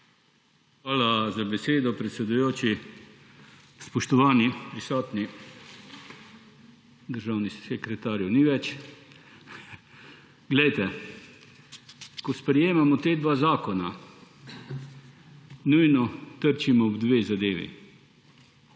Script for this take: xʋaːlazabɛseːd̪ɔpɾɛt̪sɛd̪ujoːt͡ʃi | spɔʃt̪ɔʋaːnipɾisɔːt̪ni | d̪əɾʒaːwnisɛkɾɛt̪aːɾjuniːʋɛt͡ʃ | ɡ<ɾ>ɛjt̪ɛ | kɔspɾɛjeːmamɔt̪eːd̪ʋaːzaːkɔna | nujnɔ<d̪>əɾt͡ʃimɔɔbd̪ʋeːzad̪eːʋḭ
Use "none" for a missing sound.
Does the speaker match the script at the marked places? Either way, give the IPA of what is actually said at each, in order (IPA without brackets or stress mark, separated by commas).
l, t̪